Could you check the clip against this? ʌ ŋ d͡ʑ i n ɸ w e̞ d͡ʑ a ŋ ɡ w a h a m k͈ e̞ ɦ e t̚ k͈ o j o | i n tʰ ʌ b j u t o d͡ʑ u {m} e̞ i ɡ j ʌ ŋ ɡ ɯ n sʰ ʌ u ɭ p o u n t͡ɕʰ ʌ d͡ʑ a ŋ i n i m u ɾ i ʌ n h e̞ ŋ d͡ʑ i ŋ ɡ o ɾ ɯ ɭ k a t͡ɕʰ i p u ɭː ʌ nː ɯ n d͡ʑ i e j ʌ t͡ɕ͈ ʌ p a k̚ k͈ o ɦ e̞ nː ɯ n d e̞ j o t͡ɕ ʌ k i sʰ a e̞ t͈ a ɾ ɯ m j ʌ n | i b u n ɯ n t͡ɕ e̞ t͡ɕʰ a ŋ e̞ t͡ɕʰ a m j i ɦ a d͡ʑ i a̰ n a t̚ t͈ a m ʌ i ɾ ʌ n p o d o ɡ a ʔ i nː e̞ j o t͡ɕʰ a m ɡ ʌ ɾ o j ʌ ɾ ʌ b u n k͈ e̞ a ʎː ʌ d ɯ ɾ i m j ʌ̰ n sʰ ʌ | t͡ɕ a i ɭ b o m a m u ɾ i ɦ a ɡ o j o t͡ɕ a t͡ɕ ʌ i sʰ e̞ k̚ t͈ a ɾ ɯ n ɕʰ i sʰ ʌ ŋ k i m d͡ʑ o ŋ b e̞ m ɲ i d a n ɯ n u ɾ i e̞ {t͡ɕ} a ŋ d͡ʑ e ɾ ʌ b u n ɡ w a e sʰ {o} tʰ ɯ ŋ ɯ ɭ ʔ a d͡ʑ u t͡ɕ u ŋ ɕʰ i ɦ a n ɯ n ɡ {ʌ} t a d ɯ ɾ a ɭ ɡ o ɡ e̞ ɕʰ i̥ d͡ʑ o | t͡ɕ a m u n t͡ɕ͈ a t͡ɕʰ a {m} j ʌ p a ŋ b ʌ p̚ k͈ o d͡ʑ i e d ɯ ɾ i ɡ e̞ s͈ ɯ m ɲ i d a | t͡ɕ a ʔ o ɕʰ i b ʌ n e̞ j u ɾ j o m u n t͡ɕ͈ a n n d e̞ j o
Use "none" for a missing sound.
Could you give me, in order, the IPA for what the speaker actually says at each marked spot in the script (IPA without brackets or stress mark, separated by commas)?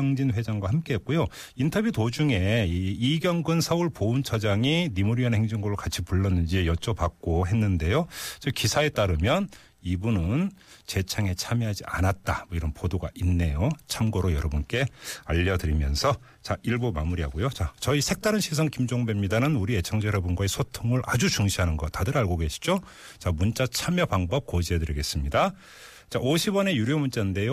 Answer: ŋ, t͡ɕʰ, o, ʌ, m